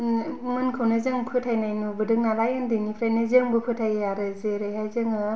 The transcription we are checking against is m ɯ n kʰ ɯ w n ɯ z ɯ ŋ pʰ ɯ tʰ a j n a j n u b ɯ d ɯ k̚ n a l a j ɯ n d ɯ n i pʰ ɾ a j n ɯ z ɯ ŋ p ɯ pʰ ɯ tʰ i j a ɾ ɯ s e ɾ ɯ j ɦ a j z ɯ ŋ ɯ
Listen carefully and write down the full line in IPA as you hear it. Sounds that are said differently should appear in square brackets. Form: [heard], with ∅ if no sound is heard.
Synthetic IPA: m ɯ n kʰ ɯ w n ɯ z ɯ ŋ pʰ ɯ tʰ a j n a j n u b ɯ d ɯ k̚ n a l a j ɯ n d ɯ n i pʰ ɾ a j n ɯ z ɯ ŋ [b] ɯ pʰ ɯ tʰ [a] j a ɾ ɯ [z] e ɾ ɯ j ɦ a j z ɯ ŋ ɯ